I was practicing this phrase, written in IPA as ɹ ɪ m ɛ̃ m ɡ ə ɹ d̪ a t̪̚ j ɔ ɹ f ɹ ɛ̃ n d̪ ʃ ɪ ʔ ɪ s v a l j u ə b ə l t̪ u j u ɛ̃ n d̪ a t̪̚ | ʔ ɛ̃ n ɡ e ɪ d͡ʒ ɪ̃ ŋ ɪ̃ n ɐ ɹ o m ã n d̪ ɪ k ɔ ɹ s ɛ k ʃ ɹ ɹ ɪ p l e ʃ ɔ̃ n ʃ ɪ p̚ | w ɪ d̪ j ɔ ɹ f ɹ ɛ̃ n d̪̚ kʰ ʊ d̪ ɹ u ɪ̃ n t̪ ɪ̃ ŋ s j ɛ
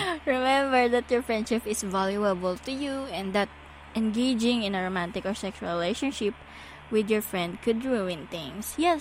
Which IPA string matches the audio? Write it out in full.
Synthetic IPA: ɹ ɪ m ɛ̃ m b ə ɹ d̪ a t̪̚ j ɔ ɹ f ɹ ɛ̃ n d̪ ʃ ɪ p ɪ s v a l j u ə b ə l t̪ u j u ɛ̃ n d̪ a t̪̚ | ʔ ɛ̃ n ɡ e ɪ d͡ʒ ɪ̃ ŋ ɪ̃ n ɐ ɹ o m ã n t̪ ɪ k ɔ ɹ s ɛ k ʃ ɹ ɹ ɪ l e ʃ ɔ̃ n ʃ ɪ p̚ | w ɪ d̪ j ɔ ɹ f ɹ ɛ̃ n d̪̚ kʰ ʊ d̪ ɹ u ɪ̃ n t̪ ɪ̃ ŋ s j ɛ